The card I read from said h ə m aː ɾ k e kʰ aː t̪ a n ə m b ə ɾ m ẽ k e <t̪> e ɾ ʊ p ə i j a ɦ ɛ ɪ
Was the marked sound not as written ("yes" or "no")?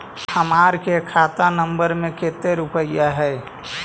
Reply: no